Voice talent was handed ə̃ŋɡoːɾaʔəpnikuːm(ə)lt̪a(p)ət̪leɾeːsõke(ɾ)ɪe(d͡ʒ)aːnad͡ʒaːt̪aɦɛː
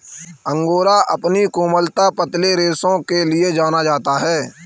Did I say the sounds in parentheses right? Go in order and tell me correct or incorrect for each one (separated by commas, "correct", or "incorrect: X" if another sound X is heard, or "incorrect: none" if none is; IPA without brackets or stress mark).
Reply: correct, correct, incorrect: l, correct